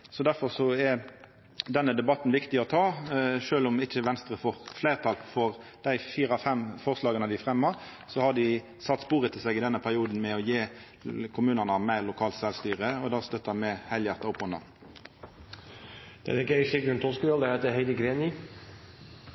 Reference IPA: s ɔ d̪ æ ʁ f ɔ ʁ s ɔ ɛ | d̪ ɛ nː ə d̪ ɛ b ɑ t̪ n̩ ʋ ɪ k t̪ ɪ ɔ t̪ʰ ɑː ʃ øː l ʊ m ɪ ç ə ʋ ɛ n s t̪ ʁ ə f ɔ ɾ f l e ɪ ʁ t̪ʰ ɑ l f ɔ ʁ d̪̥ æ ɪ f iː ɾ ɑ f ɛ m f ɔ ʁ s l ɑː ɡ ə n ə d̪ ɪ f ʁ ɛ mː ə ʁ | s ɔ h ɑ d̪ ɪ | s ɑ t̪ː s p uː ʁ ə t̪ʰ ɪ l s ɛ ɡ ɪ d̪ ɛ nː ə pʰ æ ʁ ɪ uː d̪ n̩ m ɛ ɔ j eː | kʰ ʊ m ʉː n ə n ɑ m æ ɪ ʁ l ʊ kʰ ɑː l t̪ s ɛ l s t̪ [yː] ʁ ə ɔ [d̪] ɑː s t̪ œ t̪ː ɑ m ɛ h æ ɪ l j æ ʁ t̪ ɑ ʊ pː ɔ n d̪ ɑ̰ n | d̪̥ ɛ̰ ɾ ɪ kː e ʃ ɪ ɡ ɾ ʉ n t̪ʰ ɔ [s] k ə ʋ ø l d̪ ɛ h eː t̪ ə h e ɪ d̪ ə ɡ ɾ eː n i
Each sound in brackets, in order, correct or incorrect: correct, correct, correct

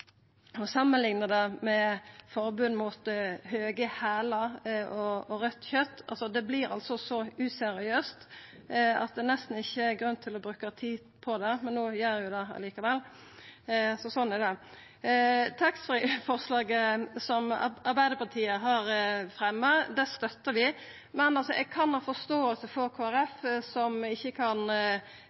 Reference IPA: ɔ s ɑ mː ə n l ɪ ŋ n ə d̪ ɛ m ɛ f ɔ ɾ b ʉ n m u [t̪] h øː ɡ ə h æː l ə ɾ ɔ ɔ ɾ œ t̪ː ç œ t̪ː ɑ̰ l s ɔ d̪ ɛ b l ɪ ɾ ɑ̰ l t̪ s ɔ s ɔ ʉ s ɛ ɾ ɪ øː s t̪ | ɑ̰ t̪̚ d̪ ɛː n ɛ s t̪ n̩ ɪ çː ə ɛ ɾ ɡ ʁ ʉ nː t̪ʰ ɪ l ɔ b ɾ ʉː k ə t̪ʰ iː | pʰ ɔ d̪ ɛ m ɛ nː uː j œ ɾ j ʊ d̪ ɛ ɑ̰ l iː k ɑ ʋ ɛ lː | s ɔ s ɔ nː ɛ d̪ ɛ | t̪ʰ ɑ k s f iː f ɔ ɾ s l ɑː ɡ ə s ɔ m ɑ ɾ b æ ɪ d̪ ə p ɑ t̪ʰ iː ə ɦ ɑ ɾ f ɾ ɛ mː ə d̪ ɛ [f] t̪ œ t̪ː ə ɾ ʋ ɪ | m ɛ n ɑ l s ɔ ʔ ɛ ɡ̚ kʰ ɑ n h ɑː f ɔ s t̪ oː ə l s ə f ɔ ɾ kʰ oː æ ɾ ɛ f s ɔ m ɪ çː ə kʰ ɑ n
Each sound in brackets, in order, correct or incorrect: correct, incorrect: s

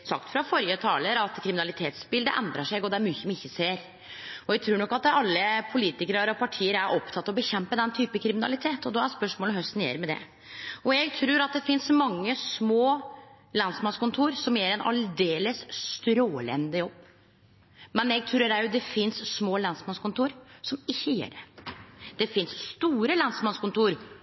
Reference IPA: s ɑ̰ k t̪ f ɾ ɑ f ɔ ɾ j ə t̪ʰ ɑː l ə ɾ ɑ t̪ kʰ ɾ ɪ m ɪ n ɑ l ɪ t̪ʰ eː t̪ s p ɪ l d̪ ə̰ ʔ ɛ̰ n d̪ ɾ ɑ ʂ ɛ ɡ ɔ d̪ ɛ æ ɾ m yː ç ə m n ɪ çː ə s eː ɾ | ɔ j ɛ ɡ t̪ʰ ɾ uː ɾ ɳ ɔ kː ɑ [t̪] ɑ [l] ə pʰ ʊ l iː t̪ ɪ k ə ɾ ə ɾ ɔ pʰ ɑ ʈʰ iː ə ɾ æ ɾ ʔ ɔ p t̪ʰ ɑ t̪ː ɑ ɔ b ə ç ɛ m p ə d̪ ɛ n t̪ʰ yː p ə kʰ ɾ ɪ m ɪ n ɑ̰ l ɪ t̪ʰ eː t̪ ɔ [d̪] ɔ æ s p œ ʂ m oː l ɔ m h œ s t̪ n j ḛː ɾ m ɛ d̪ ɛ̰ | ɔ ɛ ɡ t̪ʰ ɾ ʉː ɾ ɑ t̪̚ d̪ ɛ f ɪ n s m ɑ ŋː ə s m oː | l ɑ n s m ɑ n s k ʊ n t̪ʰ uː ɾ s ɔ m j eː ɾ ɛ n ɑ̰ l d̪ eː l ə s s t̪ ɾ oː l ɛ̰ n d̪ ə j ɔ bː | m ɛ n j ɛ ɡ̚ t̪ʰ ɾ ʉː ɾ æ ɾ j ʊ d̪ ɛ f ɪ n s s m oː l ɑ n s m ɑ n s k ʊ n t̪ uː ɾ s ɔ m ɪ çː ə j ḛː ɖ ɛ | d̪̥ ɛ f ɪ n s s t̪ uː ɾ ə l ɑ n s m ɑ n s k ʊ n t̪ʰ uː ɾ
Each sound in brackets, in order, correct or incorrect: correct, incorrect: lː, correct

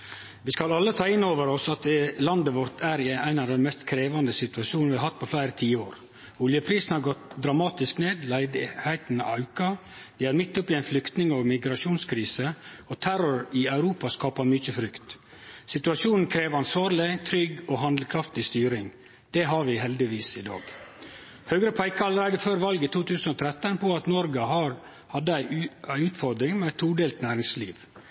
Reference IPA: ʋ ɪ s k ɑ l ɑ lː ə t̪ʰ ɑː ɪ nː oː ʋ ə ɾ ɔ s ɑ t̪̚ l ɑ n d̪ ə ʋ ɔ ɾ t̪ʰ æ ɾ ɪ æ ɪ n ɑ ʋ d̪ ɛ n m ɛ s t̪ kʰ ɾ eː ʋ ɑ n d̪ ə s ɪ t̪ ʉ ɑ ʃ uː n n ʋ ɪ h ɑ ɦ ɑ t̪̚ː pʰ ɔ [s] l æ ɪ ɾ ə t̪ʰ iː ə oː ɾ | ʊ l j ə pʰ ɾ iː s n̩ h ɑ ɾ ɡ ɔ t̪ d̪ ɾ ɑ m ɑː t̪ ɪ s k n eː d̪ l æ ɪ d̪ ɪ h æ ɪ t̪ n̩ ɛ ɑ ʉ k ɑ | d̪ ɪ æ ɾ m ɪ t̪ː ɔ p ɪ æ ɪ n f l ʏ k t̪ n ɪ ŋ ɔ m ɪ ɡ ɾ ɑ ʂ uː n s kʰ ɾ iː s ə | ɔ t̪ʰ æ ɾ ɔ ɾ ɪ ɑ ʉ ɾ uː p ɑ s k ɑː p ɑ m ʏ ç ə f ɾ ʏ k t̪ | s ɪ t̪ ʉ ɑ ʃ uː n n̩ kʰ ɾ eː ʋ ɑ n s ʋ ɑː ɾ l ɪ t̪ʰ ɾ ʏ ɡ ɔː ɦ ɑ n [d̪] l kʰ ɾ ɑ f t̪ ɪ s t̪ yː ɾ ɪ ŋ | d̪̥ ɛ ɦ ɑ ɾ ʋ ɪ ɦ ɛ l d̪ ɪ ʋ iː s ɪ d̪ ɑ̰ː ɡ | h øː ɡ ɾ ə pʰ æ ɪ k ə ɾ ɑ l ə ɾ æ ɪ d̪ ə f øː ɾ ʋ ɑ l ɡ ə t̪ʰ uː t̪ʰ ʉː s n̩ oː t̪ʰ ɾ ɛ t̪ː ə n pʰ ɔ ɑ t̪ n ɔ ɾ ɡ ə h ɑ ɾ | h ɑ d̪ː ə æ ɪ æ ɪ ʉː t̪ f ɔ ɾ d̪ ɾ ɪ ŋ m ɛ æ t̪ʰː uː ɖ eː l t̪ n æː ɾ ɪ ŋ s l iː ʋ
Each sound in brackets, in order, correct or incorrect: incorrect: f, correct

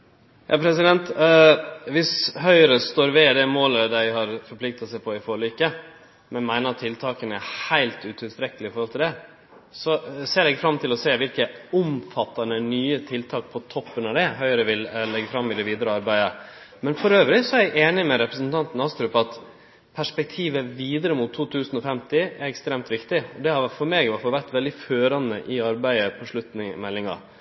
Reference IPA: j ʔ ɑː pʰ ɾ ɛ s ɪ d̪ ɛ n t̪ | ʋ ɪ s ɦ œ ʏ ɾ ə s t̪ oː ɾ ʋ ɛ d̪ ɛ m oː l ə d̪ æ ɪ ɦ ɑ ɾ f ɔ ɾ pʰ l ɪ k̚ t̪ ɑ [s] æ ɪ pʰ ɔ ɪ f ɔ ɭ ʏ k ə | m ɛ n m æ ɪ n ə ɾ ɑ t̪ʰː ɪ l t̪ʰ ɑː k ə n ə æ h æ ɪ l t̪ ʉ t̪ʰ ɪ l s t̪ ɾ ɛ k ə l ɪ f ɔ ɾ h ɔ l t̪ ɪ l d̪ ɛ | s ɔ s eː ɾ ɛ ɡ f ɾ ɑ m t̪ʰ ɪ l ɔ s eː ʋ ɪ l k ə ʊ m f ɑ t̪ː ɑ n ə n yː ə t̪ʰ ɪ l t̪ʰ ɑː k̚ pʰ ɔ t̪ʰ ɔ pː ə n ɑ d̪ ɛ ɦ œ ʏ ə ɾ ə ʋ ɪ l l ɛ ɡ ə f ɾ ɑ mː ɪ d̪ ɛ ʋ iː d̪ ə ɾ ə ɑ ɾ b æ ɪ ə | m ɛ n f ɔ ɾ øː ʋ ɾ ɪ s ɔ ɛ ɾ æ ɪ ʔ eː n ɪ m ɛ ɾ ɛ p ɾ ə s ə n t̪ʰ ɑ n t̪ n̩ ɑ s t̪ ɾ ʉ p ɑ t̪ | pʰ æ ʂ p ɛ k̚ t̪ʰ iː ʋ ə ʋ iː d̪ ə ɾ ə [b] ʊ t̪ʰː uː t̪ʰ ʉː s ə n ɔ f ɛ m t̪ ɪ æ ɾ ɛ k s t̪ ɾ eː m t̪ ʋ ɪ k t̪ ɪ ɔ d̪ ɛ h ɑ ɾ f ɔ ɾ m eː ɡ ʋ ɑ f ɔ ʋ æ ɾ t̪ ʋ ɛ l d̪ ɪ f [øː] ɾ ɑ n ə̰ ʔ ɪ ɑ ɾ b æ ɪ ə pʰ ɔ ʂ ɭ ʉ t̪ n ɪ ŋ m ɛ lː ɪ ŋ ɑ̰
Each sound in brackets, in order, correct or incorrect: correct, incorrect: m, correct

